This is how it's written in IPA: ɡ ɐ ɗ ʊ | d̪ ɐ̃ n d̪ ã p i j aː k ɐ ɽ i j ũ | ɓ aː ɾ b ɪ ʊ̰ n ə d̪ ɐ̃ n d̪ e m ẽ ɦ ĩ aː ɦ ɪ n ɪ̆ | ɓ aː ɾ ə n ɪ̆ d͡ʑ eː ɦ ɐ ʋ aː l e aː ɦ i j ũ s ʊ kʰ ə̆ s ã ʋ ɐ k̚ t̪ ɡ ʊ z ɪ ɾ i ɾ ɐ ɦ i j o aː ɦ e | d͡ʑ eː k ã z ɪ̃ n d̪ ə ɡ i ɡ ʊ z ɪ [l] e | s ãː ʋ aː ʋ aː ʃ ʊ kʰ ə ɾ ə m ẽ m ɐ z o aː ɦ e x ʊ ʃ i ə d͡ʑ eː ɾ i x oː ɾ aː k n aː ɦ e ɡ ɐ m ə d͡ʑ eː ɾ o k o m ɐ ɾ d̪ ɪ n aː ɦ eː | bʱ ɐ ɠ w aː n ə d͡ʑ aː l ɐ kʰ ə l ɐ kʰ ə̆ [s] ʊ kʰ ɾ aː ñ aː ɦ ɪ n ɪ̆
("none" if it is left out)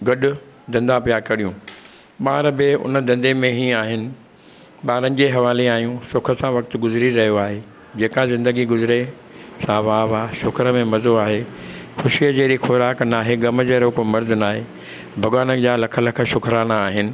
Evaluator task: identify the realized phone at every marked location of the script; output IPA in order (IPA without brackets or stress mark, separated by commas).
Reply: ɾ, ʃ